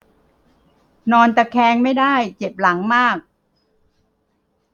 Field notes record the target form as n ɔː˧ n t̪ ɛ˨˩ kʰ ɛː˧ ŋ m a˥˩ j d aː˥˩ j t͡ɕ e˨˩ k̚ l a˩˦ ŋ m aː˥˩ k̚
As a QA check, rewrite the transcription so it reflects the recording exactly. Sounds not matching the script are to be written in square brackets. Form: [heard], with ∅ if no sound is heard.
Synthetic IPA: n ɔː˧ n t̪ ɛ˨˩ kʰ ɛː˧ ŋ m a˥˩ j d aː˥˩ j t͡ɕ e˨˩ [p̚] l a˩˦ ŋ m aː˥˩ k̚